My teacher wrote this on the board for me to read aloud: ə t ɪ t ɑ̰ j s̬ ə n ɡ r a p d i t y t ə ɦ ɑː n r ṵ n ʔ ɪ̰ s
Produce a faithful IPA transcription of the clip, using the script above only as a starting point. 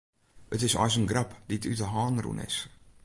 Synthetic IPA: ə t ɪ s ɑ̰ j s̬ ə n ɡ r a p d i t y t ə ɦ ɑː n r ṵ n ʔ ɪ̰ s